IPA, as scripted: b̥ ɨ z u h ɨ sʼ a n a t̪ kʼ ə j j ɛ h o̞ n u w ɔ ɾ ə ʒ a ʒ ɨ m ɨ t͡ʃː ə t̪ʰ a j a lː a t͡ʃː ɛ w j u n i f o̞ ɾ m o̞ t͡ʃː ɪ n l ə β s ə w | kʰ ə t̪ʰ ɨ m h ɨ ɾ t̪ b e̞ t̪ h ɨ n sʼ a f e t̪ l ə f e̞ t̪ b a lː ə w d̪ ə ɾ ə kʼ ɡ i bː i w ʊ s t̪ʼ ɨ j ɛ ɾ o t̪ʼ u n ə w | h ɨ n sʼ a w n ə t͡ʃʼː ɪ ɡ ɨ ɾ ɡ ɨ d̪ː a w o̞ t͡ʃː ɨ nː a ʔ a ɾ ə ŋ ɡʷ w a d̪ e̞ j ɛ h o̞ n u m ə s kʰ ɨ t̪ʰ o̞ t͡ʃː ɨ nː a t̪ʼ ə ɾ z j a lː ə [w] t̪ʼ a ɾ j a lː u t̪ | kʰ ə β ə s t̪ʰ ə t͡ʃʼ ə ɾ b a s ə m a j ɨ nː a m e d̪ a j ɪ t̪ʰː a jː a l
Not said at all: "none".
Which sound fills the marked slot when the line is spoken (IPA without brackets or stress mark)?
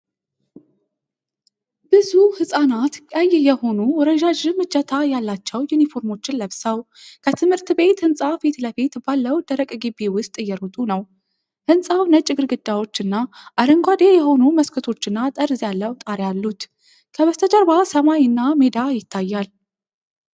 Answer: w